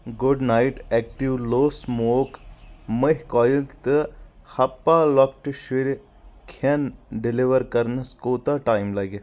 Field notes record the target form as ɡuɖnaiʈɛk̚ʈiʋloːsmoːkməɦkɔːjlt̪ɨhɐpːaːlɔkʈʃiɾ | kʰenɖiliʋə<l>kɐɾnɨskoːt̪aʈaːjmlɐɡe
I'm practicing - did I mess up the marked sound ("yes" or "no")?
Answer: yes